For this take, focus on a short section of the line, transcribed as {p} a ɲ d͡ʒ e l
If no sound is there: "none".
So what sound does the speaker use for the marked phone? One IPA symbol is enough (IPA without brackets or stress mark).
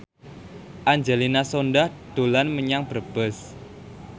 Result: ʔ